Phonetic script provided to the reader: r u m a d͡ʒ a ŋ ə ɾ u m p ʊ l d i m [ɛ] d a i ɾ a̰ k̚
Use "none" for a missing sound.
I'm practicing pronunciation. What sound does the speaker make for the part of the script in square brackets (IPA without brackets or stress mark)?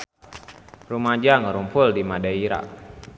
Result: a